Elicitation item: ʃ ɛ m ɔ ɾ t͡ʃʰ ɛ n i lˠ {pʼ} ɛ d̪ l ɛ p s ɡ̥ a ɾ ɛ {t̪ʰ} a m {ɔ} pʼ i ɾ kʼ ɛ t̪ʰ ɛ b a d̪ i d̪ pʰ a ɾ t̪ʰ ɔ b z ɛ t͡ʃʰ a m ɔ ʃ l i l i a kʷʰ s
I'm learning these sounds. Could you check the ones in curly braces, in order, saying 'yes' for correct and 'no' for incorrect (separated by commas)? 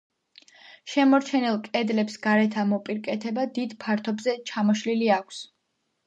no, yes, yes